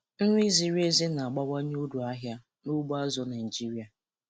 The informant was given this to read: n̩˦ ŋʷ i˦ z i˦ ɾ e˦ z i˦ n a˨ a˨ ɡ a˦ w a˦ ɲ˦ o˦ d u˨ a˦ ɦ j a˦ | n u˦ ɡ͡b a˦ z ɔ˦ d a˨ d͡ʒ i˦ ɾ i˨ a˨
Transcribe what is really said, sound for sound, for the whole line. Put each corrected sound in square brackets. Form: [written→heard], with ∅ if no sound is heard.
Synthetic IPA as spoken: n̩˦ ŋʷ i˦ z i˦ ɾ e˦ z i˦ n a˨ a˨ [ɡ→ɡ͡b] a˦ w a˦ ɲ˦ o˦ d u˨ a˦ ɦ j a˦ | n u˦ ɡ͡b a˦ z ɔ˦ [d→n] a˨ d͡ʒ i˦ ɾ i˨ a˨